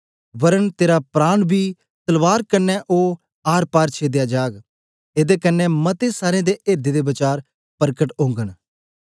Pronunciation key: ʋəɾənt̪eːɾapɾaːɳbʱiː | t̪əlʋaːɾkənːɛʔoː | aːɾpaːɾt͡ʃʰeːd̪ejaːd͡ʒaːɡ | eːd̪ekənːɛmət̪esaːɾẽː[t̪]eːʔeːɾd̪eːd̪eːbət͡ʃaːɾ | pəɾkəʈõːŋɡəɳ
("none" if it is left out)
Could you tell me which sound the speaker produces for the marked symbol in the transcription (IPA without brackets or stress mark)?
d̪